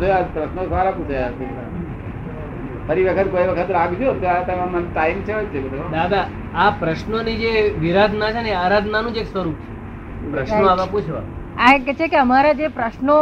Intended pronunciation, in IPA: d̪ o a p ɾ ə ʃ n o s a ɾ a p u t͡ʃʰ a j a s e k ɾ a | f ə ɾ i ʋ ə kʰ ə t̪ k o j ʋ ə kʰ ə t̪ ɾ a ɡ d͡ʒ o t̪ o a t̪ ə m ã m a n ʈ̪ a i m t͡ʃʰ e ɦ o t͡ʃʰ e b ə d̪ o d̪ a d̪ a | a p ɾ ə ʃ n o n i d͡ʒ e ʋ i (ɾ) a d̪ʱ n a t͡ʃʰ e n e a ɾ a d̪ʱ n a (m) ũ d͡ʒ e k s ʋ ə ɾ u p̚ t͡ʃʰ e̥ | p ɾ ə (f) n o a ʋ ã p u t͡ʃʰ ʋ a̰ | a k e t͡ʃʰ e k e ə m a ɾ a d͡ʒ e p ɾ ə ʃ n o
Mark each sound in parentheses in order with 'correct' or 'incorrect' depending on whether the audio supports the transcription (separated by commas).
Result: correct, incorrect, incorrect